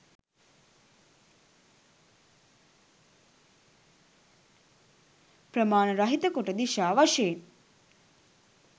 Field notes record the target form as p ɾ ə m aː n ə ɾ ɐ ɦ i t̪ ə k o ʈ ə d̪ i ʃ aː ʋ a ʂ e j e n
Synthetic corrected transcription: p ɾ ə m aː n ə ɾ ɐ ɦ i t̪ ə k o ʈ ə d̪ i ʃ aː ʋ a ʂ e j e n